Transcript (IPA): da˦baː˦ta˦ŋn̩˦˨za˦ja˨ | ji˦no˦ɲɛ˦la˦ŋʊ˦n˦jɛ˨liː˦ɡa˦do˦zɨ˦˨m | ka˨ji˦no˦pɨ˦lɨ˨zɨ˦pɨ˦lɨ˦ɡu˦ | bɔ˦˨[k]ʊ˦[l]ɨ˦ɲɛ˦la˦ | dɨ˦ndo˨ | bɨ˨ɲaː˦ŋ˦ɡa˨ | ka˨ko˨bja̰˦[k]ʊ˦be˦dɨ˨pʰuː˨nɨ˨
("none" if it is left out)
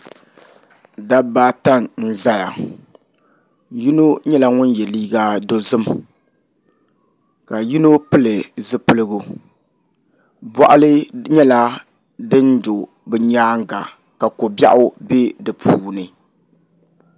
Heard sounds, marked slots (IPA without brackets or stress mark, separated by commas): ʔ, l, ʔ